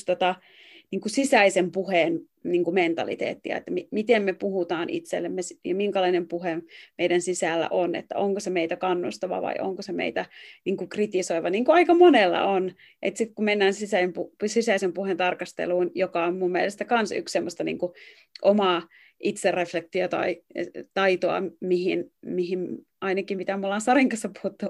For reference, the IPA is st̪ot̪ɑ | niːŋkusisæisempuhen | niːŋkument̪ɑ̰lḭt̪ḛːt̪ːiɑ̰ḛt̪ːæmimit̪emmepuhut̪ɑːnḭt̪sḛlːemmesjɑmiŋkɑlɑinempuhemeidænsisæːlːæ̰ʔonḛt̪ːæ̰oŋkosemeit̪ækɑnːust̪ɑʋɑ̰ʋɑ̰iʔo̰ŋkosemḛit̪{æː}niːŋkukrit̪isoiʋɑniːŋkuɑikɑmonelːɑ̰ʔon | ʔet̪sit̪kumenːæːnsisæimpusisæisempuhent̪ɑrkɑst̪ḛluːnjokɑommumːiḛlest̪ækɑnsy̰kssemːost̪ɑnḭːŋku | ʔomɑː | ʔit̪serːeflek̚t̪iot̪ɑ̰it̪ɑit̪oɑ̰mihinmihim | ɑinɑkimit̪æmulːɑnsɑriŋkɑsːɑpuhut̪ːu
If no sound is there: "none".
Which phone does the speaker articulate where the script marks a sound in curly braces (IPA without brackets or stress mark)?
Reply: æ